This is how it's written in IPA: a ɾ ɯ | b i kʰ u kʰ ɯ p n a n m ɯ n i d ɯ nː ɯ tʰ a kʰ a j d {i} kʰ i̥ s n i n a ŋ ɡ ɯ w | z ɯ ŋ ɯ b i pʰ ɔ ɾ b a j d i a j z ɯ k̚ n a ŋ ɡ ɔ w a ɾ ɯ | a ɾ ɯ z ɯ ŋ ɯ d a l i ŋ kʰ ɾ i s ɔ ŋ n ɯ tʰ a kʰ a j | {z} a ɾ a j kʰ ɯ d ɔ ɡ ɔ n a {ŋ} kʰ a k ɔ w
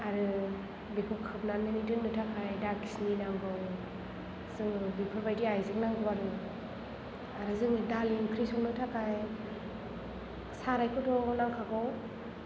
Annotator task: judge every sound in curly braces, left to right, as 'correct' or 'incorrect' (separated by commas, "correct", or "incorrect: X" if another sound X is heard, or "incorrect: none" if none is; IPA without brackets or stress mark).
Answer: incorrect: a, incorrect: s, correct